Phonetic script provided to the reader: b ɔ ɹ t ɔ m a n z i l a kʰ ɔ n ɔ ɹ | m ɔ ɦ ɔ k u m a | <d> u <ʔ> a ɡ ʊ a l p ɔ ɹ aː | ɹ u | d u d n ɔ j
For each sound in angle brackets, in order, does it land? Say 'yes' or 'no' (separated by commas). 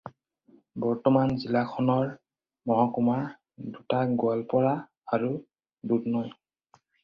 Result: yes, no